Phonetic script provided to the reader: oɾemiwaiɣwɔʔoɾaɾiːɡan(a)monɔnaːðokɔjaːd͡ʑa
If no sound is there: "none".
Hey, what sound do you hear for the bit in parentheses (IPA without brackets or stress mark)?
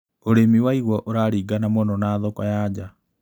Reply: a